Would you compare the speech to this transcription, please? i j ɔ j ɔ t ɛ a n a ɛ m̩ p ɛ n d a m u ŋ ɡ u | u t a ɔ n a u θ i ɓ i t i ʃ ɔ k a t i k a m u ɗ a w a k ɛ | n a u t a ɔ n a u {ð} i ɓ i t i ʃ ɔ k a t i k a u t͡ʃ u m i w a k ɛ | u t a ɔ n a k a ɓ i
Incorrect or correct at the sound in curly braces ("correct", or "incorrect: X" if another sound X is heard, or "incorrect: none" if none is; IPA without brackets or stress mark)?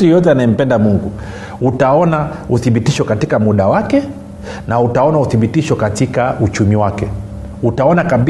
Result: incorrect: θ